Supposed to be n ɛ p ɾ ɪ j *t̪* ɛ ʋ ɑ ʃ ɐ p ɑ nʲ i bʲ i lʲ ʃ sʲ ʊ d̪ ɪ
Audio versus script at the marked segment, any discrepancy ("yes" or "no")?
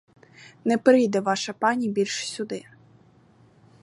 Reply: yes